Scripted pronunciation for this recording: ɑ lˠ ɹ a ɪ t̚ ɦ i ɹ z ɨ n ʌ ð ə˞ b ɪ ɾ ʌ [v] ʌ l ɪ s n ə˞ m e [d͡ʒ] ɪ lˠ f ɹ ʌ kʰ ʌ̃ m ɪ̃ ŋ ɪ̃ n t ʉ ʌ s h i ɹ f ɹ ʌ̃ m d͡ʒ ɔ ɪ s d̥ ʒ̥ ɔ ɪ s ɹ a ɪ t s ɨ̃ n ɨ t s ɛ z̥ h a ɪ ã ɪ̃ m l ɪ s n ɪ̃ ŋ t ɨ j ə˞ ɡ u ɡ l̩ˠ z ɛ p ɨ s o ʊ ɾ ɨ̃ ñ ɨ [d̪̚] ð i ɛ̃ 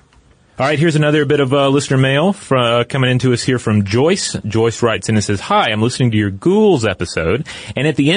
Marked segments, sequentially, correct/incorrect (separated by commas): correct, incorrect, incorrect